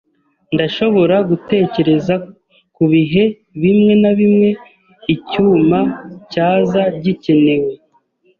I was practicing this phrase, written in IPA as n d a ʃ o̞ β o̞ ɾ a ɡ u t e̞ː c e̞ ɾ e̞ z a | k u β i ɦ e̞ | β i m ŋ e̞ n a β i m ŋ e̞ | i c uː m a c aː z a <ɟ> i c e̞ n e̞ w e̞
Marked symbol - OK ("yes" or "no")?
yes